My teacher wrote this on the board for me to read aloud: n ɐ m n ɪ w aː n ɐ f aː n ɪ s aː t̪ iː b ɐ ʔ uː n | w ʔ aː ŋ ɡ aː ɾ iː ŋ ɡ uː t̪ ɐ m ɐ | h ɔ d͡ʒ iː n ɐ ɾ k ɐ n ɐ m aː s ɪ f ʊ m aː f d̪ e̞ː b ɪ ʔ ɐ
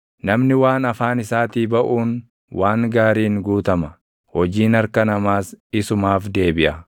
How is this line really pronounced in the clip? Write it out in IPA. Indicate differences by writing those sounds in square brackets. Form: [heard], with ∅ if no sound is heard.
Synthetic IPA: n ɐ m n ɪ w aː n ɐ f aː n ɪ s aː t̪ iː b ɐ ʔ uː n | w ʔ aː ŋ ɡ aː ɾ iː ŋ ɡ uː t̪ ɐ m ɐ | h ɔ d͡ʒ iː n ɐ ɾ k ɐ n ɐ m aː s ɪ [s] ʊ m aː f d̪ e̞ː b ɪ ʔ ɐ